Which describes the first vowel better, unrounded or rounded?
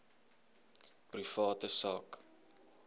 unrounded